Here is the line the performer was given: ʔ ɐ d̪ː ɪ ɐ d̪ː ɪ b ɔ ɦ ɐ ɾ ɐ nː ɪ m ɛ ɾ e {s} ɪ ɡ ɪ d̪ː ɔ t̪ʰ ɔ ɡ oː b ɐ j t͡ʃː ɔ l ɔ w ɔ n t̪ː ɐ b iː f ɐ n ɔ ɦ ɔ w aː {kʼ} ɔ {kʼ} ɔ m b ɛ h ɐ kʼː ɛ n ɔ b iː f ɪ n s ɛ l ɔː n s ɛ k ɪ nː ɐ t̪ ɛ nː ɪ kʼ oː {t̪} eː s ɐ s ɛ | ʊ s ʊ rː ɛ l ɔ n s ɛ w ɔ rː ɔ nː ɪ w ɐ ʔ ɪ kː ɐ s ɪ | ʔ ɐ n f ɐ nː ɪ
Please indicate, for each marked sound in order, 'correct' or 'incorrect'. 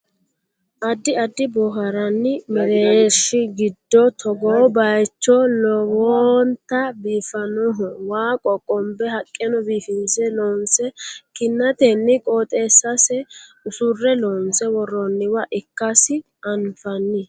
incorrect: ʃ, correct, correct, incorrect: t̪ʼ

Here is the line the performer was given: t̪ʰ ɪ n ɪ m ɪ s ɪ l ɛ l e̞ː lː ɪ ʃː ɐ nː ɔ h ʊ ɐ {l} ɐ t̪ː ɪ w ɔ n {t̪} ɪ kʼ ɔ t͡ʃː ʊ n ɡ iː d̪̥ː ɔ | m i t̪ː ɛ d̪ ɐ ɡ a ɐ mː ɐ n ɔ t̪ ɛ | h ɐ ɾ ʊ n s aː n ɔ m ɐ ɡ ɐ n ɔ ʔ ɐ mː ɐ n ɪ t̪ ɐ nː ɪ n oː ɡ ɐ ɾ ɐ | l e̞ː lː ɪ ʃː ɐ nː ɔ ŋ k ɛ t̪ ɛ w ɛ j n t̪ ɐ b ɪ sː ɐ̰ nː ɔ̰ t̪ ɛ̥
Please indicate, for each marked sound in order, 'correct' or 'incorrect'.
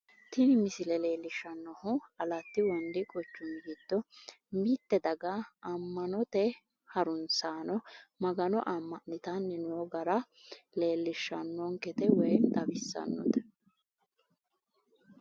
correct, incorrect: d̪

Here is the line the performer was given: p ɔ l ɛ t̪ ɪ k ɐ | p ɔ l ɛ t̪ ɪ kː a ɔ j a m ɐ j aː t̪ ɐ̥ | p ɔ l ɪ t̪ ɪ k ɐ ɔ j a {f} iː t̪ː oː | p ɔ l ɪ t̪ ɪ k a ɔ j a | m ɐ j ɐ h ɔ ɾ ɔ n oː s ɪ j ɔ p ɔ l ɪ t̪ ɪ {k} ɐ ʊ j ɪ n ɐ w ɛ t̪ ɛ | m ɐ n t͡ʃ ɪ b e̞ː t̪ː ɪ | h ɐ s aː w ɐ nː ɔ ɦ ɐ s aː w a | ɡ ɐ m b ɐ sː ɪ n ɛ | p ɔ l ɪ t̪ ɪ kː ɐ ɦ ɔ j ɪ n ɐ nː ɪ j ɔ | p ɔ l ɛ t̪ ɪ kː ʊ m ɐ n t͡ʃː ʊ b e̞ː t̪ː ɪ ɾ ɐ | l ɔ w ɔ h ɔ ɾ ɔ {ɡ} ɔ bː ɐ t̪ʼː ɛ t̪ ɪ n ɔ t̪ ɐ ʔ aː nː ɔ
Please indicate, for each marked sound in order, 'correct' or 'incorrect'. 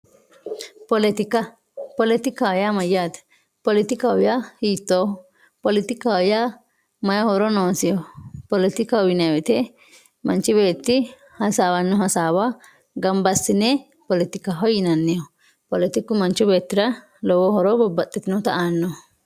incorrect: h, correct, incorrect: b

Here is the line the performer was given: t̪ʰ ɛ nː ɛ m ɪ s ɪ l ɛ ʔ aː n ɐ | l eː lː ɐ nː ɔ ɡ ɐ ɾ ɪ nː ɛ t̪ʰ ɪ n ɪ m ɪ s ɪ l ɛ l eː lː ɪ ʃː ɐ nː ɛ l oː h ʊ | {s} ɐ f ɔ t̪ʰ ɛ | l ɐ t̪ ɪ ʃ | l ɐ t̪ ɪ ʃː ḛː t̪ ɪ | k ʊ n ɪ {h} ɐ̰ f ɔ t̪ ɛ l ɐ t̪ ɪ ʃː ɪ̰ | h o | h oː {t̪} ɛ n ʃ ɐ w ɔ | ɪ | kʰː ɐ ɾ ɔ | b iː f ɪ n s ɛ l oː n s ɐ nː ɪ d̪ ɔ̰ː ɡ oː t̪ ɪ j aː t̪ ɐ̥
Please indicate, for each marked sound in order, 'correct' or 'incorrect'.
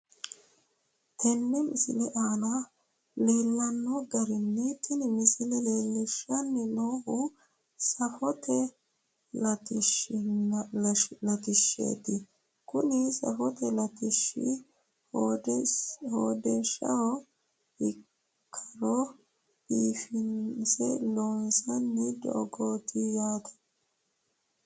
correct, incorrect: s, incorrect: d̪

